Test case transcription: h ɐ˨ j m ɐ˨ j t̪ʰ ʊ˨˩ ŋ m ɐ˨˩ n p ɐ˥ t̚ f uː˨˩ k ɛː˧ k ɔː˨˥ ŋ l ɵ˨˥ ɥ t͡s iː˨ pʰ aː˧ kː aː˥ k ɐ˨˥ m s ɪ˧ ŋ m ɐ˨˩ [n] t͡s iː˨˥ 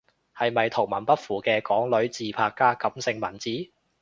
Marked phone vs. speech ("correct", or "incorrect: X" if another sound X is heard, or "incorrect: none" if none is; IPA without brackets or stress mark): correct